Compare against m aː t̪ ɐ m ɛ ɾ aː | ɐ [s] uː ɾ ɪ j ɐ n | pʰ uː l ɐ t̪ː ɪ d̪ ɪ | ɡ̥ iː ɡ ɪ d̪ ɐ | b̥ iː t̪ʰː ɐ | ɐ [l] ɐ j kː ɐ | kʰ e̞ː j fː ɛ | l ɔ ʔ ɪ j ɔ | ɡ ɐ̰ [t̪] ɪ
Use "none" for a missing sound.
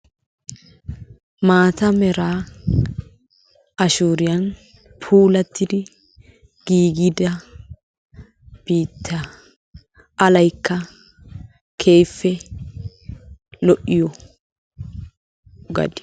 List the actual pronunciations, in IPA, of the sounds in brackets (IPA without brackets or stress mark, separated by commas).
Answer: ʃ, l, d̪